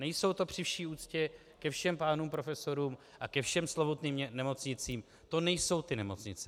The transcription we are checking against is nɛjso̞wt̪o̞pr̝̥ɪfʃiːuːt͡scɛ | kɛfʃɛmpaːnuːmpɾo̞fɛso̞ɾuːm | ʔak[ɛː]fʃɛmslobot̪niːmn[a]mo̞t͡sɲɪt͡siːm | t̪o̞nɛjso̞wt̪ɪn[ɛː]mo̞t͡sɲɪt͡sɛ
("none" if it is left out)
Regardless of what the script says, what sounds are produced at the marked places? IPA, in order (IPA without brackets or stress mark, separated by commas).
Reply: ɛ, ɛ, ɛ